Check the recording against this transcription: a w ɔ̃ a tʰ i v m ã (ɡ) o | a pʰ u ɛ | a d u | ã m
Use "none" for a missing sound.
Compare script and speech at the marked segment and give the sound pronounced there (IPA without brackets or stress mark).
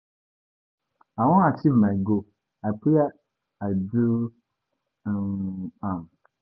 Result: ɡ